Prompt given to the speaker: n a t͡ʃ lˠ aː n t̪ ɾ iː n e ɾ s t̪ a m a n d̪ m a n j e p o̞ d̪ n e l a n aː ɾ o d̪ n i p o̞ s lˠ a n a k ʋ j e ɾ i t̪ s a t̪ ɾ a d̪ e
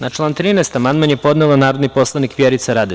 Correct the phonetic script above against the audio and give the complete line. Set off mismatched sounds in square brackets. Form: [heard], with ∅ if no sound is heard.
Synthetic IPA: n a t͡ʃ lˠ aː n t̪ ɾ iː n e [∅] s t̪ a m a n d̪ m a n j e p o̞ d̪ n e l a n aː ɾ o d̪ n i p o̞ s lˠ a n [i] k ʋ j e ɾ i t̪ s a [∅] ɾ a d̪ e